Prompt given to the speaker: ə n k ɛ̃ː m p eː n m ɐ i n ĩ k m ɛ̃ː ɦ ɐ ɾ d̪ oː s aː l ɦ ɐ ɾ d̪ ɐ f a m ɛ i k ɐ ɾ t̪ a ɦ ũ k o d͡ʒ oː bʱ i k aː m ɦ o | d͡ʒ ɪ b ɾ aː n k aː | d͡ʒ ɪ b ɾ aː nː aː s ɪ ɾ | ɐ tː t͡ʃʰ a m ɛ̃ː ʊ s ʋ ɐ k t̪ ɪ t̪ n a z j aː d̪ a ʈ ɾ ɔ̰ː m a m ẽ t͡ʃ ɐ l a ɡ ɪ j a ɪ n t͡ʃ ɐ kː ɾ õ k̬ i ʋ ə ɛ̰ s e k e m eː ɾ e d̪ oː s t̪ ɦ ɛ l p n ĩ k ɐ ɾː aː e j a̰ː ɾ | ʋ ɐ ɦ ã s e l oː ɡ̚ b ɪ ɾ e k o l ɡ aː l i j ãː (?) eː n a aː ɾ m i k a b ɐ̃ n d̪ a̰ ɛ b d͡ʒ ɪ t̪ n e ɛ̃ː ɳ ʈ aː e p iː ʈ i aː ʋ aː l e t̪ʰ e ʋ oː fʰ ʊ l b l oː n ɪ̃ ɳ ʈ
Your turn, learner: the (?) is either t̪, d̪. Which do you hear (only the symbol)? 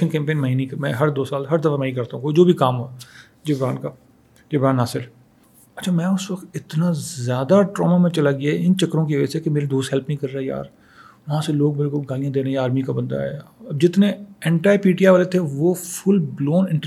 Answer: d̪